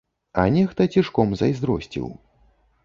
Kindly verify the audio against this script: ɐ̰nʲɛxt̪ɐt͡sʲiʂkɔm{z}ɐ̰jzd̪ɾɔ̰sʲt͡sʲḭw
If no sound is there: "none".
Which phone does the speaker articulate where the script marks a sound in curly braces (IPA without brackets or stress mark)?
z